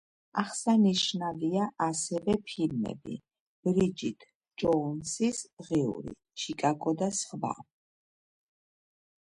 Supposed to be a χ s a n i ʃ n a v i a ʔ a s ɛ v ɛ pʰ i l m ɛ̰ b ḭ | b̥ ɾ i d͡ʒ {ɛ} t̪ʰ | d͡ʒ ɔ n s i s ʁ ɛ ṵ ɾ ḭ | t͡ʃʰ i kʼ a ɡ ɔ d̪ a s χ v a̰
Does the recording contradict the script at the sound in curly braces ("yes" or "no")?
yes